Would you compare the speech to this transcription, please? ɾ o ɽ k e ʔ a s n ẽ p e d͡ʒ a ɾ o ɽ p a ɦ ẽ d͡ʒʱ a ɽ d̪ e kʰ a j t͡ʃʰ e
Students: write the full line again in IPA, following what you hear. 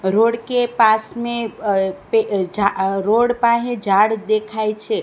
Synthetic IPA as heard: ɾ o ɽ k e p a s m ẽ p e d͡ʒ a ɾ o ɽ p a ɦ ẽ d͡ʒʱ a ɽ d̪ e kʰ a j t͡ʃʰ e